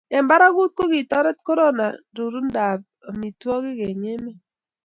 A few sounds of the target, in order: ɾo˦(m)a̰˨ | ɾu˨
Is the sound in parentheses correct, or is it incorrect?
incorrect